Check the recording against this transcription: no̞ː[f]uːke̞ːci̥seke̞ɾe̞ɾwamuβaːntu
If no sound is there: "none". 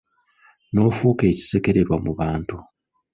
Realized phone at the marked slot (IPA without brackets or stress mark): f